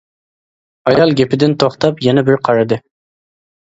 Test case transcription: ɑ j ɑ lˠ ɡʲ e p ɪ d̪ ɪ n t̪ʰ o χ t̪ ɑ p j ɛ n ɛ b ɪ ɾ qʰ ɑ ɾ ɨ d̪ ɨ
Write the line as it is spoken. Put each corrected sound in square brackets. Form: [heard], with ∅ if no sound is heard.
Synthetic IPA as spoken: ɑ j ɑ lˠ ɡʲ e p ɪ d̪ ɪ n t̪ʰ o χ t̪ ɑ p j ɛ n ɛ b ɪ ɾ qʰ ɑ ɾ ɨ d̪ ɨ